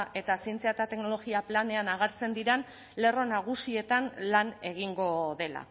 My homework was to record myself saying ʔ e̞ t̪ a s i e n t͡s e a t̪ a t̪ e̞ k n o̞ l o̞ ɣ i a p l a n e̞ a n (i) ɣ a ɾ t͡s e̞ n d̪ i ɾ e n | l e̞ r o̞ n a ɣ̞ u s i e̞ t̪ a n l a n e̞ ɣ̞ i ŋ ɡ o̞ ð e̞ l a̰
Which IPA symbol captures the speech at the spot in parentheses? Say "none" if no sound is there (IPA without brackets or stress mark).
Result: a